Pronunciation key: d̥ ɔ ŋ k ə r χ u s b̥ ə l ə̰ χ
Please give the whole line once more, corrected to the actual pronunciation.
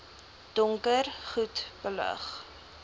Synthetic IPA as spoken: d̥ ɔ ŋ k ə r χ u t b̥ ə l ə̰ χ